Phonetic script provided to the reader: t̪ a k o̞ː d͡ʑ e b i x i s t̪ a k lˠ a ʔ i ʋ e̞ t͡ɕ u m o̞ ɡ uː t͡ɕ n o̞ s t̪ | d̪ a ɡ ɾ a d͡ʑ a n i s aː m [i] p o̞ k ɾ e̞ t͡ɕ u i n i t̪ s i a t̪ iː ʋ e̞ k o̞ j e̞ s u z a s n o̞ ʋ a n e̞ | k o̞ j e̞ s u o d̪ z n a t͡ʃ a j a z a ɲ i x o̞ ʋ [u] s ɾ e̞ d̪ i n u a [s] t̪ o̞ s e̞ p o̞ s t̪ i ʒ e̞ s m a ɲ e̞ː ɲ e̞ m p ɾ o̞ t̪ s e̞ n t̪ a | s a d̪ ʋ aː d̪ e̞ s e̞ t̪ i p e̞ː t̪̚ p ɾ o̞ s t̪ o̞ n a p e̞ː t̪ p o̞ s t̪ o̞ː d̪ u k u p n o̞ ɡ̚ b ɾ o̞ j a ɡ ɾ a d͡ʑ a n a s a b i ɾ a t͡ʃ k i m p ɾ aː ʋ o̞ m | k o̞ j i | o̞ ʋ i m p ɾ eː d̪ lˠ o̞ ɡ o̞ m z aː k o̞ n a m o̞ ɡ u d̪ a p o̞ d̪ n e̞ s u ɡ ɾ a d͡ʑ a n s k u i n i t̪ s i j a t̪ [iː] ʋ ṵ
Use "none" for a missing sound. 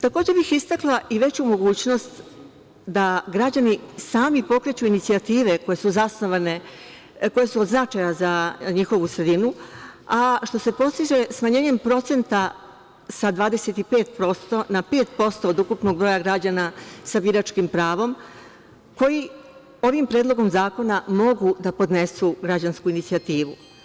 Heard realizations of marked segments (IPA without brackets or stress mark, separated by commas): i, u, ʃ, iː